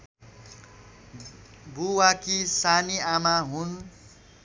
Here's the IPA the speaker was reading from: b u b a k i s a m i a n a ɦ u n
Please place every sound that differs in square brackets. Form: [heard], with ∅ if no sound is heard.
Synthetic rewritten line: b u [w] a k i s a [n] i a [m] a ɦ u n